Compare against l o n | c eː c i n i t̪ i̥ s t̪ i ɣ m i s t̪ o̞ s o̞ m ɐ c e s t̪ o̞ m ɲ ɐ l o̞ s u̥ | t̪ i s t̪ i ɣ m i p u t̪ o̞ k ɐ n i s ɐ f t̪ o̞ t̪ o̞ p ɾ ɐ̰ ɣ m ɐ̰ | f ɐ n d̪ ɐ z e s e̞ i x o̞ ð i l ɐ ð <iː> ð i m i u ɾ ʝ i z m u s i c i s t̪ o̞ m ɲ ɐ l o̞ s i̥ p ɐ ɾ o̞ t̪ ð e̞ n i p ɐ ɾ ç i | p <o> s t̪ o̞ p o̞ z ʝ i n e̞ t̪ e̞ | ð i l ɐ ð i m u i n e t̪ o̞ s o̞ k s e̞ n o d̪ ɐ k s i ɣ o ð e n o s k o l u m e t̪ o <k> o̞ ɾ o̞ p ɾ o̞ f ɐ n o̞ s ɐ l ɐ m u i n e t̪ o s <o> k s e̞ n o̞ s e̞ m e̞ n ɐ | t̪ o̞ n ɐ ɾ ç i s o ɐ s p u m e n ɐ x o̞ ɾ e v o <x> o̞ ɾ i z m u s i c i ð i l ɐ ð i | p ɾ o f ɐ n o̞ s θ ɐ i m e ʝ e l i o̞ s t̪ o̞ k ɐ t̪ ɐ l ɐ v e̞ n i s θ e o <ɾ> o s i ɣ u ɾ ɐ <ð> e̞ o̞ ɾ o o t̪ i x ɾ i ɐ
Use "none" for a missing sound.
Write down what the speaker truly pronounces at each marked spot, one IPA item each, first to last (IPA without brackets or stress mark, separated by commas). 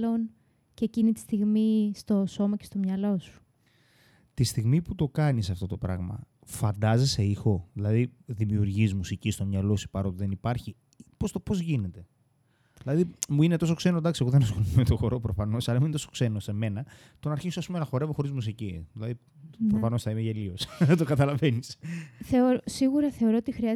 i, o, x, o, x, ɾ, θ